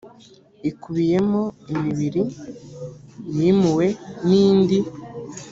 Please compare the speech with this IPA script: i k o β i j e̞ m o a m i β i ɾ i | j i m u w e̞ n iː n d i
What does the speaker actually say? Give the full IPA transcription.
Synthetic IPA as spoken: i k u β i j e̞ m o i m i β i ɾ i | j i m u w e̞ n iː n d i